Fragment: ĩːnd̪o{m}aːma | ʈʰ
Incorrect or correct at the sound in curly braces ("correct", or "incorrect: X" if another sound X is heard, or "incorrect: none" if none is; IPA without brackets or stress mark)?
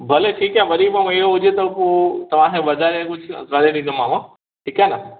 correct